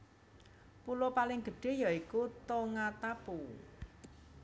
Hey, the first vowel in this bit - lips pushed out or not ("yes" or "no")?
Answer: yes